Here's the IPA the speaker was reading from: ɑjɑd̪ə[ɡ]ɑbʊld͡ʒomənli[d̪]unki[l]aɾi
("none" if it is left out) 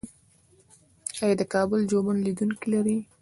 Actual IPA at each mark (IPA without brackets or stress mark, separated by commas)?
k, d̪, l